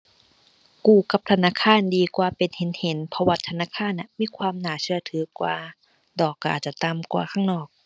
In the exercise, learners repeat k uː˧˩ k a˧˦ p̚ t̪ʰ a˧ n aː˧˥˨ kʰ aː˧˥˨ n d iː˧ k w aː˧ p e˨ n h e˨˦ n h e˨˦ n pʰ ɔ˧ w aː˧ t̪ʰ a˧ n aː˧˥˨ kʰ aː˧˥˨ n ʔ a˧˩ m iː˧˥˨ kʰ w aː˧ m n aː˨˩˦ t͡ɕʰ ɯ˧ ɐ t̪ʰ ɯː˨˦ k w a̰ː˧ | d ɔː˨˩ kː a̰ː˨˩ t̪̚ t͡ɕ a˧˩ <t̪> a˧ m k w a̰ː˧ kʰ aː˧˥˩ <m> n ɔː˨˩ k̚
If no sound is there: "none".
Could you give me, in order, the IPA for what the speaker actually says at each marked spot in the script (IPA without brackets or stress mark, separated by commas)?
t̪, ŋ